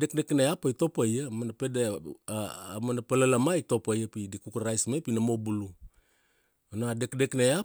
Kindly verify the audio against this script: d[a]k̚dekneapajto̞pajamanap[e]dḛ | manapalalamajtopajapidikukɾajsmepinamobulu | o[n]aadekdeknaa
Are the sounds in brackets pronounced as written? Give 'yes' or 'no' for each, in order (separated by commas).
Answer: no, yes, yes